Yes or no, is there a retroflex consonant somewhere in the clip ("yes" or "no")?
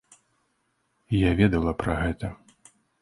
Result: no